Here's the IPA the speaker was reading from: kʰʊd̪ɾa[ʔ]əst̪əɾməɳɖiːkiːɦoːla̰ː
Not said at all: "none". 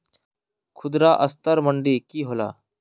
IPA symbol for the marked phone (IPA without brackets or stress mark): ʔ